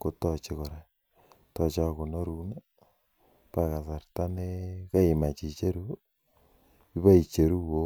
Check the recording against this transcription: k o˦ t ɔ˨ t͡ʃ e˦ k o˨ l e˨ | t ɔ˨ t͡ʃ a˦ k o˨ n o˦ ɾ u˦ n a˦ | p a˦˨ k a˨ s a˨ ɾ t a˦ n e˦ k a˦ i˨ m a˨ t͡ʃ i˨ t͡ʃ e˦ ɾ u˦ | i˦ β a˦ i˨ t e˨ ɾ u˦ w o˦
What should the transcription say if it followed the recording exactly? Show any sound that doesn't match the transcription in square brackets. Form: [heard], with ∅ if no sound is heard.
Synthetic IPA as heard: k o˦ t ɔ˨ t͡ʃ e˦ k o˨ [ɾ] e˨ | t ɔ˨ t͡ʃ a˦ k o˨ n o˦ ɾ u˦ n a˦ | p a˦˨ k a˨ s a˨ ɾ t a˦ n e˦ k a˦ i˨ m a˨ t͡ʃ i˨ t͡ʃ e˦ ɾ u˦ | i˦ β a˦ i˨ [t͡ʃ] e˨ ɾ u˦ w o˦